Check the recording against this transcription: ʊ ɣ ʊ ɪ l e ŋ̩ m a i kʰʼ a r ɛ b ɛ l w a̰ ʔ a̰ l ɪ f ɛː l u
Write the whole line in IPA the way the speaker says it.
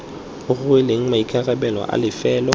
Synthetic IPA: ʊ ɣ ʊ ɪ l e ŋ̩ m a i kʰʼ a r ɛ b ɛ l w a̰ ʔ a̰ l ɪ f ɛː l ɔ

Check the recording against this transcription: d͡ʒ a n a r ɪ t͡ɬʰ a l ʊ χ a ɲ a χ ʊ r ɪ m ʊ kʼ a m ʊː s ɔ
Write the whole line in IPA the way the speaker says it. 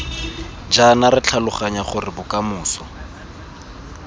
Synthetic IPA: d͡ʒ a n a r ɪ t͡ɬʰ a l ʊ χ a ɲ a χ ʊ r ɪ b ʊ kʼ a m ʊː s ɔ

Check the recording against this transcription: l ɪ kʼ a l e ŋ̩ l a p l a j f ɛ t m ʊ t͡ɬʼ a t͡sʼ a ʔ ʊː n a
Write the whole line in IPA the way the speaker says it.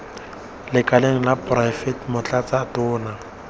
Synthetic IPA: l ɪ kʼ a l e ŋ̩ l a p r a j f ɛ t m ʊ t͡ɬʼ a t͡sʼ a t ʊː n a

